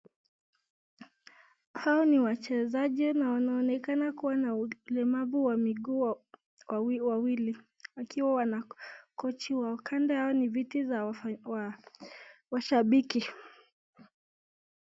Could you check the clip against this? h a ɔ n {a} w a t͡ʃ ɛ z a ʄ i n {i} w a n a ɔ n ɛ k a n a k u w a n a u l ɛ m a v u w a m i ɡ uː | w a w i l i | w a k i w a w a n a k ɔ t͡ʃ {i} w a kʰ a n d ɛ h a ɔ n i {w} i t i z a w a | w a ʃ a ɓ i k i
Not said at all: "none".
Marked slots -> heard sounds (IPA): i, a, i, v

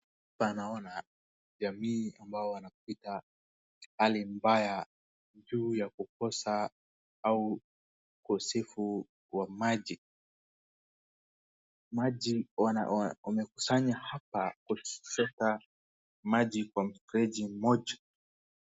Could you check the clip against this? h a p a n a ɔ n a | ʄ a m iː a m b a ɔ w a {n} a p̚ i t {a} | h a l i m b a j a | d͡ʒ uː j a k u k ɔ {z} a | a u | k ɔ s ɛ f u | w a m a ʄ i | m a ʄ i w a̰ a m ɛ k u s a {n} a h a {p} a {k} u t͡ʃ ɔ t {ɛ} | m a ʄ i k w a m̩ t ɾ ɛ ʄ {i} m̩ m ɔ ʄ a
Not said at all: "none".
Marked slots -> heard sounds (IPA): n, a, s, ɲ, p, k, a, i

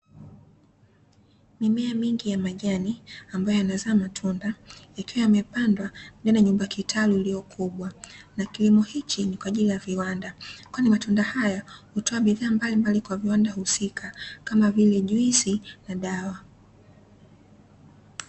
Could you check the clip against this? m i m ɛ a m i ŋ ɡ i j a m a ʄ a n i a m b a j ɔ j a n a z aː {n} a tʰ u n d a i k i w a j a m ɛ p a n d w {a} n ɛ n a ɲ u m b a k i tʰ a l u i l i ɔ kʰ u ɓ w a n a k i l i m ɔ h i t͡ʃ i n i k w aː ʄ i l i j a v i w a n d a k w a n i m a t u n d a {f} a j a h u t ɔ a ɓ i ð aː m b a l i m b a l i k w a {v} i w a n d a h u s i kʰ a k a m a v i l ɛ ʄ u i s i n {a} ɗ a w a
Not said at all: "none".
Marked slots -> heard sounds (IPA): m, a, h, v, a

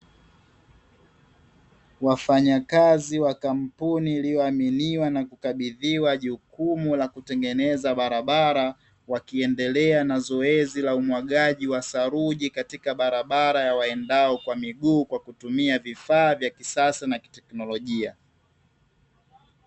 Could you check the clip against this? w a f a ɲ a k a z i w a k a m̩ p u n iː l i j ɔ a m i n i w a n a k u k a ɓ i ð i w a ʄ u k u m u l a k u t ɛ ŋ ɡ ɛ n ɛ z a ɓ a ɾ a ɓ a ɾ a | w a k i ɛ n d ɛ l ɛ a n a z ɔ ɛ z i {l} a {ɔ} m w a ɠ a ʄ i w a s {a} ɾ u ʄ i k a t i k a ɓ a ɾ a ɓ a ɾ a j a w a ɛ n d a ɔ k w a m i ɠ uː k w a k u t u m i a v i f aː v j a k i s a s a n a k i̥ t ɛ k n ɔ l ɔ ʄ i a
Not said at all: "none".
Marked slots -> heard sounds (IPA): l, u, a

